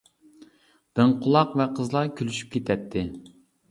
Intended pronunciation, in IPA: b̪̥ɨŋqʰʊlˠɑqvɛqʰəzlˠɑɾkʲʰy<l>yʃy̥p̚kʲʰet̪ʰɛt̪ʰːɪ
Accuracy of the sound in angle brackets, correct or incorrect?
correct